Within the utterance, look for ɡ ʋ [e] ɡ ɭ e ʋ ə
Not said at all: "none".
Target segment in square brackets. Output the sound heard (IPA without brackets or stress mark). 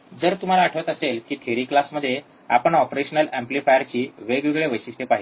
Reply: e